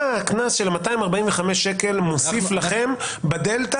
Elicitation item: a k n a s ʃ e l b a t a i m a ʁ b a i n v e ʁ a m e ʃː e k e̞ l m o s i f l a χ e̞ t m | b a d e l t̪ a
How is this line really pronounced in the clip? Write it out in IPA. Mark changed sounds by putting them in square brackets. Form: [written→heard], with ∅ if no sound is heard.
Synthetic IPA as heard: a k n a s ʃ e l [b→m] a t a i m a ʁ b a i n v e [ʁ→χ] a m e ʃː e k e̞ l m o s i f l a χ e̞ [t→∅] m | b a d e l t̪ a

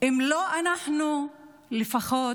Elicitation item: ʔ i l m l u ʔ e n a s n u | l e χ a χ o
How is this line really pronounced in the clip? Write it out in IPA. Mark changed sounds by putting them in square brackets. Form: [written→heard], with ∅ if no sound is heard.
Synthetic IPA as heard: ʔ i [l→∅] m l [u→o] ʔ [e→a] n a [s→ħ] n u | l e [χ→f] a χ o

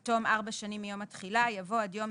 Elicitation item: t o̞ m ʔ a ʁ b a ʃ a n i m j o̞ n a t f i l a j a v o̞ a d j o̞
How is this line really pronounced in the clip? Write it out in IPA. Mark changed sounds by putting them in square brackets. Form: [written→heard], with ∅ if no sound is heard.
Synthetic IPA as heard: t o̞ m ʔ a ʁ b a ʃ a n i m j o̞ [n→m] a t [f→χ] i l a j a v o̞ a d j o̞

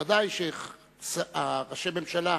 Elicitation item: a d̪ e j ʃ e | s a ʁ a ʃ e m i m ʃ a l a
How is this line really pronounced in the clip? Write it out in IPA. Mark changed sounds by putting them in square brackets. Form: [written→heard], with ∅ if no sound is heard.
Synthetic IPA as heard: a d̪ [e→a] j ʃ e | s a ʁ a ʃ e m [i→e] m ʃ a l a

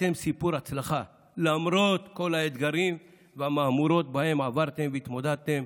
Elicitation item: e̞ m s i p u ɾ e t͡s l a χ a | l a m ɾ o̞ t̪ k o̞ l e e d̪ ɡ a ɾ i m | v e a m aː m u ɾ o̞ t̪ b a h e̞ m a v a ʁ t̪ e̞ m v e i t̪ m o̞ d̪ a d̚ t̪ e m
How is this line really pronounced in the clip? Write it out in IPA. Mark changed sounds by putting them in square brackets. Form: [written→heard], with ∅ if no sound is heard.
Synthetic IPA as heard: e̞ m s i p u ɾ [e→a] t͡s l a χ a | l a m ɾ o̞ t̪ k o̞ l [e→a] e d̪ ɡ a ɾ i m | v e a m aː m u ɾ o̞ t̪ b a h e̞ m a v a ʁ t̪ e̞ m v e i t̪ m o̞ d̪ a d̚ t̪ e m

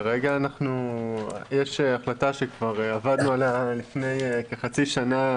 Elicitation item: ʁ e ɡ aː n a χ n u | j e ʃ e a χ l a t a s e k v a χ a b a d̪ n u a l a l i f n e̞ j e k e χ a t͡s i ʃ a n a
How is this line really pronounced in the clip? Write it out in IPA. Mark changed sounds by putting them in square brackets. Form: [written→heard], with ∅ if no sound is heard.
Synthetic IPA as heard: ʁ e ɡ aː n a χ n u | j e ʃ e a χ l a t a [s→ʃ] e k v a [χ→ʁ] a [b→v] a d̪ n u a l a l i f n e̞ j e k e χ a t͡s i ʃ a n a

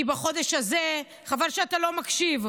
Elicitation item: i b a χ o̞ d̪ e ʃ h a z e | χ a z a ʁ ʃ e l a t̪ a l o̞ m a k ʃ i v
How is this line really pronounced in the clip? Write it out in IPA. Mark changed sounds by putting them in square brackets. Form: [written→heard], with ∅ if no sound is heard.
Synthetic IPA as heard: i b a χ o̞ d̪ e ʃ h a z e | χ a [z→v] a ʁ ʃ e [l→∅] a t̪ a l o̞ m a k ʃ i v

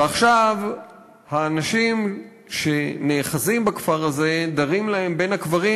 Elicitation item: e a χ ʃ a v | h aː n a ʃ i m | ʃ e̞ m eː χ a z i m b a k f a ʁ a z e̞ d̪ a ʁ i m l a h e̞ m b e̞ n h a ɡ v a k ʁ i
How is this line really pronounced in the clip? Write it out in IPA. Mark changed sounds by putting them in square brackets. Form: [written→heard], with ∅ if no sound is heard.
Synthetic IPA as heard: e a χ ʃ a v | h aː n a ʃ i m | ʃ e̞ [m→n] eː χ a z i m b a k f a ʁ a z e̞ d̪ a ʁ i m l a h e̞ m b e̞ n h a [ɡ→k] v a [k→∅] ʁ i

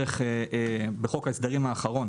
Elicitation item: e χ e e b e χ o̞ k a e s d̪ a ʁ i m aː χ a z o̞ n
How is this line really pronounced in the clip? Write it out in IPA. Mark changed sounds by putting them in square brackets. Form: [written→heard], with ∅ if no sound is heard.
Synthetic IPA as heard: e χ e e b e χ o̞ k a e s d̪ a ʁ i m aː χ a [z→ʁ] o̞ n

